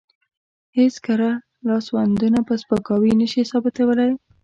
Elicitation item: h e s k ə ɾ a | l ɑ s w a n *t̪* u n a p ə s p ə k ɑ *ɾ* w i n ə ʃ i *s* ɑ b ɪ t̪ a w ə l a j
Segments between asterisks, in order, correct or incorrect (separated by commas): incorrect, incorrect, correct